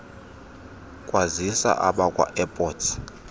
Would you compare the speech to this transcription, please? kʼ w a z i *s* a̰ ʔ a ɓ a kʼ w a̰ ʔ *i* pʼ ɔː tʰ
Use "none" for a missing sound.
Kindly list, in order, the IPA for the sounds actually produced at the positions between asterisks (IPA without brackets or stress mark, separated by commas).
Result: s, ɛ